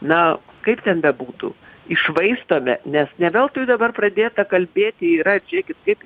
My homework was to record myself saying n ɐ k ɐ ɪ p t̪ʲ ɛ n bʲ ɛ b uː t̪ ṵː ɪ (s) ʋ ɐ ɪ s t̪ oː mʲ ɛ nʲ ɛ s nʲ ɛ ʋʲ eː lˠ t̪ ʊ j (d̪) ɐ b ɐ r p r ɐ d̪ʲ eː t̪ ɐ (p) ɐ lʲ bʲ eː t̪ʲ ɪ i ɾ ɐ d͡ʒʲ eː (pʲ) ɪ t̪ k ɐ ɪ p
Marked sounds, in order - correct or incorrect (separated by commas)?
incorrect, correct, incorrect, incorrect